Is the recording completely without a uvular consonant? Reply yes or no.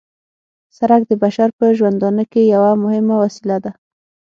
yes